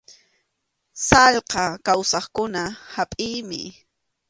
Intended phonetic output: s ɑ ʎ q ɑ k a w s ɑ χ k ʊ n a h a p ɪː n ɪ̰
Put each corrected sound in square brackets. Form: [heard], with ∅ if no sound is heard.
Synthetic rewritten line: s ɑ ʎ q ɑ k a w s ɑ χ k ʊ n a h a [pʼ] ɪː [m] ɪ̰